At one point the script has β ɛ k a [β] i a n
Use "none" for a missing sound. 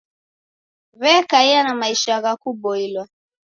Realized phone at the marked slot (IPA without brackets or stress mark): none